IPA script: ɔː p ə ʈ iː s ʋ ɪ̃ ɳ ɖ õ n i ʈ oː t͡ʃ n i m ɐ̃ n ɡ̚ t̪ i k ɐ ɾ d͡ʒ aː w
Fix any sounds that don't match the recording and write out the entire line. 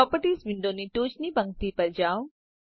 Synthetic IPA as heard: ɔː p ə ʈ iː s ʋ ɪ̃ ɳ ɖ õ n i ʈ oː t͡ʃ n i b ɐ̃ ŋ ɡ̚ t̪ i p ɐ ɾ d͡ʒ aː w